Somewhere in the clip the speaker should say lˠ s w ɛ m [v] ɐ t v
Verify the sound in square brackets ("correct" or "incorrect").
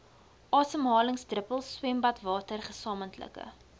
incorrect